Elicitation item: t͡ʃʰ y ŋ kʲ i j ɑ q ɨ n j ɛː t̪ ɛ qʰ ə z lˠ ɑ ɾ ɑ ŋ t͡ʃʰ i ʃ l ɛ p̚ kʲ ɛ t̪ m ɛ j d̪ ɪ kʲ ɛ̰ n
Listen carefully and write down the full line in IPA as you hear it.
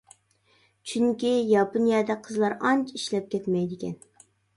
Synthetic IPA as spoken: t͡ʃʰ y ŋ kʲ i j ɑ p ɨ n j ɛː d̪ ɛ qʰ ə z lˠ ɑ ɾ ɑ n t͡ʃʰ i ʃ l ɛ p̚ kʲ ɛ t̪ m ɛ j d̪ ɪ kʲ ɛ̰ n